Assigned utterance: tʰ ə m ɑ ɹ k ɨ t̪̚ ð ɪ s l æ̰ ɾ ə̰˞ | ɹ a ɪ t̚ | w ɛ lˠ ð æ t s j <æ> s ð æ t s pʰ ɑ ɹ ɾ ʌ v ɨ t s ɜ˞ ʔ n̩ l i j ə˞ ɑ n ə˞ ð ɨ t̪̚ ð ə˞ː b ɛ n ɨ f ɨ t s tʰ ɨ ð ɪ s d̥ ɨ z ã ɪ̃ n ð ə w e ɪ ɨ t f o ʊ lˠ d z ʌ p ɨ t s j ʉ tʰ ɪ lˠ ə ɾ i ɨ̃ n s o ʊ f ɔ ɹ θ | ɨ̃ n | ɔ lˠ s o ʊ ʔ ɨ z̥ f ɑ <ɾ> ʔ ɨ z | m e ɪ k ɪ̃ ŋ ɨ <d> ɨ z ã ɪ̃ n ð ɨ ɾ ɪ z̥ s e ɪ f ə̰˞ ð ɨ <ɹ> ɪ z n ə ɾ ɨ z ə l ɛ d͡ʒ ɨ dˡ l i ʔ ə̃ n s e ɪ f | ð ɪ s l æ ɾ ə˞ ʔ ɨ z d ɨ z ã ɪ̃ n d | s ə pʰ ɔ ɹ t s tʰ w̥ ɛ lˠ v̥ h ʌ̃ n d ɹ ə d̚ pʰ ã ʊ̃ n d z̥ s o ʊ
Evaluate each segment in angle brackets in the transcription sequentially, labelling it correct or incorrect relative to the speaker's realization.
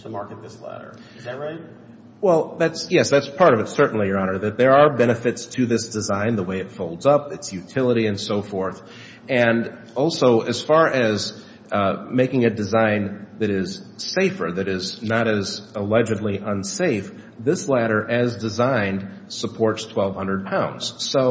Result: incorrect: ɛ, incorrect: ɹ, correct, incorrect: ɾ

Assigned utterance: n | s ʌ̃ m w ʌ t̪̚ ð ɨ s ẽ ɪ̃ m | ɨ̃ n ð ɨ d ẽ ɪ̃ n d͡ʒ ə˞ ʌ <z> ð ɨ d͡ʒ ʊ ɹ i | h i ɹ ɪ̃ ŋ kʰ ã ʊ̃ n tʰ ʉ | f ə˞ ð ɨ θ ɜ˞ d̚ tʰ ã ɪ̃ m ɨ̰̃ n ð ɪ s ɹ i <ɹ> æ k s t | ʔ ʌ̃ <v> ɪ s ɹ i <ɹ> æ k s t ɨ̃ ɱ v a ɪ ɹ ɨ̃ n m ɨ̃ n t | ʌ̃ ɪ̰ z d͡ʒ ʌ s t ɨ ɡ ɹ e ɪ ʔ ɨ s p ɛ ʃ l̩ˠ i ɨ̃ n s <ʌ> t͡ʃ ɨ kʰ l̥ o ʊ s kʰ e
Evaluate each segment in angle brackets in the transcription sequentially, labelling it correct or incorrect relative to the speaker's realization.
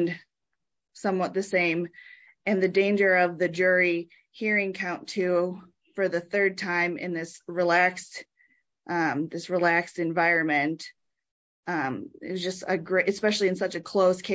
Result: incorrect: v, incorrect: l, incorrect: ð, incorrect: l, correct

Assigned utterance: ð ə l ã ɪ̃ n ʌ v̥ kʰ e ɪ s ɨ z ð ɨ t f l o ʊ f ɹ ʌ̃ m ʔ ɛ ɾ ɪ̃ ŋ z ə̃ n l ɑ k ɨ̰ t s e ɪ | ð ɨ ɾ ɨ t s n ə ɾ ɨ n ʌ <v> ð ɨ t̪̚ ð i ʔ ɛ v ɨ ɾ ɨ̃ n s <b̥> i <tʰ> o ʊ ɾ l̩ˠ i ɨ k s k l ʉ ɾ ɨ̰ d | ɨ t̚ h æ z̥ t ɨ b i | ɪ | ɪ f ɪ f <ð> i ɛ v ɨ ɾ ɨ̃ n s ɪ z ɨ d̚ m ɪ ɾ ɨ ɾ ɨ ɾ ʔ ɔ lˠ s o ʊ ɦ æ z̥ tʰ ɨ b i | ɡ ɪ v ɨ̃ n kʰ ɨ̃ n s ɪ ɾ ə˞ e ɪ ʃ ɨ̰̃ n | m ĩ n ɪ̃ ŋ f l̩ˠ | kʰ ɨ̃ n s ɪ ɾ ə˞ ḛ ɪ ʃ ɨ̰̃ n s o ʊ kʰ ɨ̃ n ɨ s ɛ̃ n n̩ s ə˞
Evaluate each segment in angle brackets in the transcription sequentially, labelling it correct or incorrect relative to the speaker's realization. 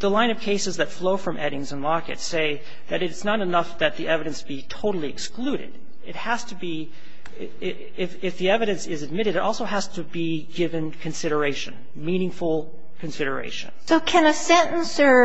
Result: incorrect: f, correct, correct, correct

